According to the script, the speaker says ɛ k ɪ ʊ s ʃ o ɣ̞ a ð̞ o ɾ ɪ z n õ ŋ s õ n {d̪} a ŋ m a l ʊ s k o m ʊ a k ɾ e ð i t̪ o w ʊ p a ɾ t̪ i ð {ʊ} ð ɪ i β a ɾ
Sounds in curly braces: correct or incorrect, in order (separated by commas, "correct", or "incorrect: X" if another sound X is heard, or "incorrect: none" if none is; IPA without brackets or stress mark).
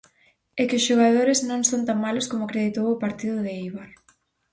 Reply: incorrect: t̪, correct